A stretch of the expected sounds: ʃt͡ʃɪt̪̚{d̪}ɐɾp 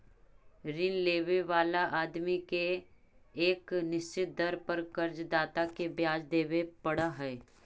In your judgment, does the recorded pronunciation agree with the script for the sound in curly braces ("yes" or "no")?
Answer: yes